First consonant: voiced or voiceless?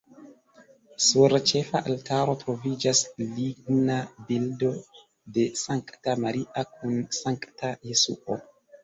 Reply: voiceless